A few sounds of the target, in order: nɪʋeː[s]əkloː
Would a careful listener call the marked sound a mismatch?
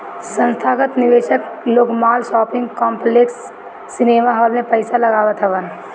yes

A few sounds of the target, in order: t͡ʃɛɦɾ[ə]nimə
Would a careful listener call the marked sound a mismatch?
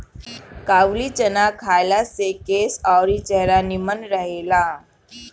yes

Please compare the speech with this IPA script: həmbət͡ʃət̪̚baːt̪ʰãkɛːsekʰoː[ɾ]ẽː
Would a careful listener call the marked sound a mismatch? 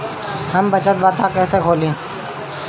yes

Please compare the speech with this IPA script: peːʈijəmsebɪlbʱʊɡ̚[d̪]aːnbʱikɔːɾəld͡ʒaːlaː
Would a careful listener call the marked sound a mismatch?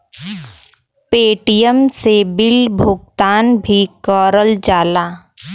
yes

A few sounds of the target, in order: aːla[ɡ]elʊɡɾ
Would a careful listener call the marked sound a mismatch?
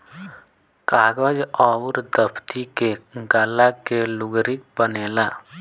yes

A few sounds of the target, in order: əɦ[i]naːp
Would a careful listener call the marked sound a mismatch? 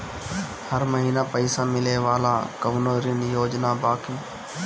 yes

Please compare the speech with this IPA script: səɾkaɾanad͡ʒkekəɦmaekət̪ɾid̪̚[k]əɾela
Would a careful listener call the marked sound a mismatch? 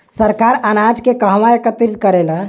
no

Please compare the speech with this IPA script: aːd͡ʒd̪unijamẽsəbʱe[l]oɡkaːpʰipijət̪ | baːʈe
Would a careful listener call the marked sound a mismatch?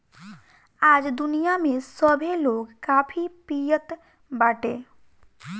no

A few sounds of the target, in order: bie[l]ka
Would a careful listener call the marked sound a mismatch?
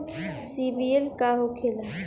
no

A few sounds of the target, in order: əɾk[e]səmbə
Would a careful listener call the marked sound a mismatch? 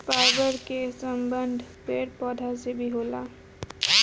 no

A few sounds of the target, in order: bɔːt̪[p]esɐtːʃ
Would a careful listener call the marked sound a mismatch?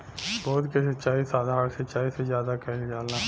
yes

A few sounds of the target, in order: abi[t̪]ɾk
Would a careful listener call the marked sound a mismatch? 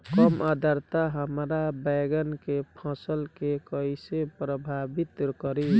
no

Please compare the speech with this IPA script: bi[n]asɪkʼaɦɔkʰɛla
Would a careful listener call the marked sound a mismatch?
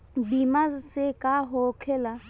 yes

